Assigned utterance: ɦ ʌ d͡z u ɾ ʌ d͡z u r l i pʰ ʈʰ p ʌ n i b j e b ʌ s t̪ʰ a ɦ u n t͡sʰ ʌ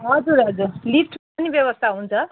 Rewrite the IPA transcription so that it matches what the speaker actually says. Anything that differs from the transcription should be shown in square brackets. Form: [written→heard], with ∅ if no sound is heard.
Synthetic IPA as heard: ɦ ʌ d͡z u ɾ ʌ d͡z u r l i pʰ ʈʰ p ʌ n i b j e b ʌ s t̪ʰ a ɦ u n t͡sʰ ʌ